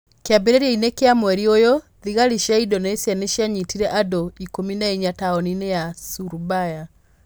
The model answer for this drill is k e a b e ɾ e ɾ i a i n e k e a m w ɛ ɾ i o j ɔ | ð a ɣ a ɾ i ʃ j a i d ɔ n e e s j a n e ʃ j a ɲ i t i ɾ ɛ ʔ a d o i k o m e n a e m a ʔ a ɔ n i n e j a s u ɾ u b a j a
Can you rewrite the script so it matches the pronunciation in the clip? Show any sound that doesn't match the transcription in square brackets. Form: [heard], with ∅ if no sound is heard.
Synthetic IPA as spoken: k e a b e ɾ e ɾ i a i n e k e a m w ɛ ɾ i o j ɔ | ð [i] ɣ a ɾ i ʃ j a i d ɔ n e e s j a n e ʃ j a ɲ i t i ɾ ɛ ʔ a d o i k o m [i] n a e [ɲ] a [t] a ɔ n i n e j a s u ɾ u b a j a